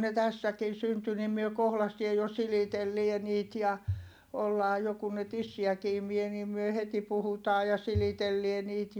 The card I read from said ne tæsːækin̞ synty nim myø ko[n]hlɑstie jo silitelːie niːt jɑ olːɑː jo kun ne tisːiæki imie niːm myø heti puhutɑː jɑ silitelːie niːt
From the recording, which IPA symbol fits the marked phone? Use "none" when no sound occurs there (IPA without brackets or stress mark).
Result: none